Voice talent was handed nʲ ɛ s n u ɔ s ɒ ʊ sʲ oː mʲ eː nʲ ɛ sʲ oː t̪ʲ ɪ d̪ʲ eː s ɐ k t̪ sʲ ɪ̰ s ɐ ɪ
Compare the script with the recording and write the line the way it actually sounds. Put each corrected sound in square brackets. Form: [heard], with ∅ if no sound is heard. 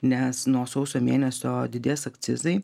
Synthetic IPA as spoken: nʲ ɛ s n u ɔ s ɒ ʊ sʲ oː mʲ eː nʲ ɛ sʲ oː [d̪ʲ] ɪ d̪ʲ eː s ɐ k t̪ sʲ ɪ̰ [z] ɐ ɪ

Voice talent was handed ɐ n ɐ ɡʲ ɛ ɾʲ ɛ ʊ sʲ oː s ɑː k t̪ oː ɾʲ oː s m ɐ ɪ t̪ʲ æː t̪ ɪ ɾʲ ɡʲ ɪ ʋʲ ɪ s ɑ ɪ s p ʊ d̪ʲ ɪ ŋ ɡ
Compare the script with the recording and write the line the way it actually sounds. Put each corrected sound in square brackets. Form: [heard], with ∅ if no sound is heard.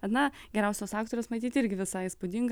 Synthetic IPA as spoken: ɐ n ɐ ɡʲ ɛ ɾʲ ɛ ʊ sʲ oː s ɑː k t̪ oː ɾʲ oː s m ɐ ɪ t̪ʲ [iː] t̪ ɪ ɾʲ ɡʲ ɪ ʋʲ ɪ s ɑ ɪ s p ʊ d̪ʲ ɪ ŋ ɡ

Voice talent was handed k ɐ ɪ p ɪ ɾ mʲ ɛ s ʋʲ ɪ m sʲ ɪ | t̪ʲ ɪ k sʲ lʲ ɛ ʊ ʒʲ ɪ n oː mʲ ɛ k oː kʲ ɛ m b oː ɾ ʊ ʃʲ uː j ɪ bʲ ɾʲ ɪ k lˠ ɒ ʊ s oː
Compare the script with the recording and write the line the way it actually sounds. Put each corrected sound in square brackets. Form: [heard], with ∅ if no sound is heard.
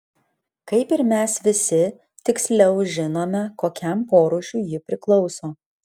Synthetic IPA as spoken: k ɐ ɪ p ɪ ɾ mʲ ɛ s ʋʲ ɪ [∅] sʲ ɪ | t̪ʲ ɪ k sʲ lʲ ɛ ʊ ʒʲ ɪ n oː mʲ ɛ k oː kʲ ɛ m [p] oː ɾ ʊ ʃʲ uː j ɪ [pʲ] ɾʲ ɪ k lˠ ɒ ʊ s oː

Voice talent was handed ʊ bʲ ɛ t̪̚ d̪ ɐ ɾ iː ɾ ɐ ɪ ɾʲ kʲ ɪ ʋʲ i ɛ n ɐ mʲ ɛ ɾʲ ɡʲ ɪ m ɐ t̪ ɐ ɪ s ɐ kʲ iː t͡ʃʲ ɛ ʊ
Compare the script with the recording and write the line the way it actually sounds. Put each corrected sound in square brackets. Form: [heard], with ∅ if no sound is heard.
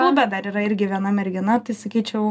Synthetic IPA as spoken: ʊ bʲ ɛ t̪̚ d̪ ɐ ɾ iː ɾ ɐ ɪ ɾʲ [ɡʲ] ɪ ʋʲ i ɛ n ɐ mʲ ɛ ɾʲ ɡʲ ɪ [n] ɐ t̪ ɐ ɪ s ɐ kʲ iː t͡ʃʲ ɛ ʊ

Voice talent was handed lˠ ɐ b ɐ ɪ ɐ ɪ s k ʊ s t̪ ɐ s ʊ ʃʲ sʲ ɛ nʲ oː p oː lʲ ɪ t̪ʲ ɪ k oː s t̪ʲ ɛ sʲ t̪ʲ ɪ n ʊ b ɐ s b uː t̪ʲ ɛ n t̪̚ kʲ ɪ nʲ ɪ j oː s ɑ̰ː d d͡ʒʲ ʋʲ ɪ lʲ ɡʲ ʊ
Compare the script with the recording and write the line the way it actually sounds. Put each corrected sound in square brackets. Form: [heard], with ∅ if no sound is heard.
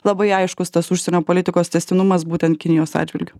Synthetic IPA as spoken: lˠ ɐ b ɐ ɪ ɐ ɪ [ʃ] k ʊ s t̪ ɐ s ʊ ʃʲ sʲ ɛ nʲ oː p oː lʲ ɪ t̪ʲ ɪ k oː s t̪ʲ ɛ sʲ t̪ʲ ɪ n ʊ [m] ɐ s b uː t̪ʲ ɛ n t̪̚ kʲ ɪ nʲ ɪ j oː s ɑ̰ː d d͡ʒʲ ʋʲ ɪ lʲ ɡʲ ʊ

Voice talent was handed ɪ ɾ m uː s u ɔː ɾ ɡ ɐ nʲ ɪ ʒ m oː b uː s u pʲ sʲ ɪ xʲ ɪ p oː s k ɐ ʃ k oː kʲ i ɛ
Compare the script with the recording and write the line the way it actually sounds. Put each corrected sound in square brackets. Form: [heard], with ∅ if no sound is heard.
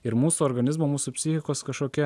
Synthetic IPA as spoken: ɪ ɾ m uː s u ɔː ɾ ɡ ɐ nʲ ɪ [z] m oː [m] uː s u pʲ sʲ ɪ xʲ ɪ [k] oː s k ɐ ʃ k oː kʲ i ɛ

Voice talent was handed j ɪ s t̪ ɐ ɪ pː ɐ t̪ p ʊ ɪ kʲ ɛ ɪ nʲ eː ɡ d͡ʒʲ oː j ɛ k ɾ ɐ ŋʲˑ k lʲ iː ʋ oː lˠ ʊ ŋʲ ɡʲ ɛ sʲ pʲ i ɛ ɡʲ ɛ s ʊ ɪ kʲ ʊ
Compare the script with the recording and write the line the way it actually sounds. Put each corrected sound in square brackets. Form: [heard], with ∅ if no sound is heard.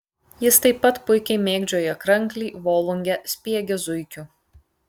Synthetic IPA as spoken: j ɪ s t̪ ɐ ɪ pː ɐ t̪ p ʊ ɪ kʲ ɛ ɪ [mʲ] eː ɡ d͡ʒʲ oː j ɛ k ɾ ɐ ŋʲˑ k lʲ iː ʋ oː lˠ ʊ ŋʲ ɡʲ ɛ sʲ pʲ i ɛ ɡʲ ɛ [z] ʊ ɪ kʲ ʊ

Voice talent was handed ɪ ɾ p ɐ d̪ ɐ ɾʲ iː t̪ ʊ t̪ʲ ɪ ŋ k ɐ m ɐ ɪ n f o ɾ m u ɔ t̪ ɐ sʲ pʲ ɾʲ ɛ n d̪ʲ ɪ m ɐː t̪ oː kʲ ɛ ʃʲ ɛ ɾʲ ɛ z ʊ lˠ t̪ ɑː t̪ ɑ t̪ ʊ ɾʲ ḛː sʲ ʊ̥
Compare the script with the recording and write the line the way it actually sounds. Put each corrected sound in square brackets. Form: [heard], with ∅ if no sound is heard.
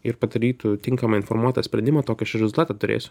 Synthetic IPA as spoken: ɪ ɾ p ɐ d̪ ɐ ɾʲ iː t̪ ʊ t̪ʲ ɪ ŋ k ɐ m ɐ ɪ n f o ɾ m u ɔ t̪ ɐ sʲ pʲ ɾʲ ɛ n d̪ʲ ɪ m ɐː t̪ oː kʲ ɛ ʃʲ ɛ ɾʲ ɛ z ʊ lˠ t̪ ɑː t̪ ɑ t̪ ʊ ɾʲ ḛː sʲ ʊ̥

